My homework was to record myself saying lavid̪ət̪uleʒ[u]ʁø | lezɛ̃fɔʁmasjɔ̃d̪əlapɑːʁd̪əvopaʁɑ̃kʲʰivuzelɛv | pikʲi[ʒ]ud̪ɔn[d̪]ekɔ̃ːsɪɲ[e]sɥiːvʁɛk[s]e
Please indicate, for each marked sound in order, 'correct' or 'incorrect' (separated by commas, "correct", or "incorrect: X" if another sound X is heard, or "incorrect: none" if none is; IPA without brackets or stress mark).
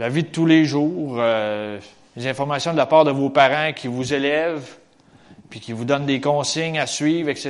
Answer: incorrect: uː, incorrect: v, correct, incorrect: a, correct